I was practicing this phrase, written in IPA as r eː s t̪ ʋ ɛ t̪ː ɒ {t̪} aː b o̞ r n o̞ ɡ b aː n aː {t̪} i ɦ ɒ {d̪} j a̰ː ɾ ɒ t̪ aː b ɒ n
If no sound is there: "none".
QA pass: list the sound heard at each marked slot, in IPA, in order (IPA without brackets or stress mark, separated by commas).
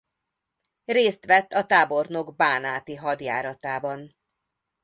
t̪, t̪, d̪